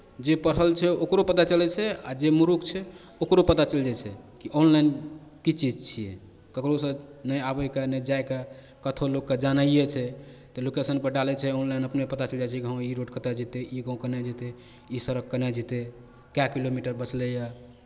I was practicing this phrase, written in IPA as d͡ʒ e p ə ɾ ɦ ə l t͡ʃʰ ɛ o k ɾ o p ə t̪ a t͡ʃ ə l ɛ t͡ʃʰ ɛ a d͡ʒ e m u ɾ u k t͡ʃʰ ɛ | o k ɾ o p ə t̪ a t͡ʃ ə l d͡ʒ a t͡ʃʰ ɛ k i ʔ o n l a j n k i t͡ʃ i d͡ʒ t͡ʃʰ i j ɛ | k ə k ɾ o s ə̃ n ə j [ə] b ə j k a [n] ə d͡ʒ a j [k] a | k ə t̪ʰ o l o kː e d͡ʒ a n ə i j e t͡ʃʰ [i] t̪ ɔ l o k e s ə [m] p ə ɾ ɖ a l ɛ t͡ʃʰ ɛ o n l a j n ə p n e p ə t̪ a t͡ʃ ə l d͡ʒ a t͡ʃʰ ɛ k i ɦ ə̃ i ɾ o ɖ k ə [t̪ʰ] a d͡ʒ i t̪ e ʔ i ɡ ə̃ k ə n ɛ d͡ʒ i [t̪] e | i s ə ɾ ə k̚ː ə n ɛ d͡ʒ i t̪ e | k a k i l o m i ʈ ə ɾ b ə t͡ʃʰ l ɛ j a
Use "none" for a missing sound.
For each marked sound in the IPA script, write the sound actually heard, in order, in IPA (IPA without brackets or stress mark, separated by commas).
a, n, k, ɛ, n, t̪, t̪